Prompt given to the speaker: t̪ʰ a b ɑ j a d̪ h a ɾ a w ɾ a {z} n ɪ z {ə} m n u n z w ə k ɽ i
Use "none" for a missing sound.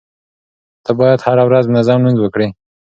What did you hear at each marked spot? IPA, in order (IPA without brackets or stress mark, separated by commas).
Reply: z, ɑ